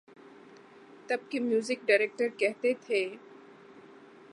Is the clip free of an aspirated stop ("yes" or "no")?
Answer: no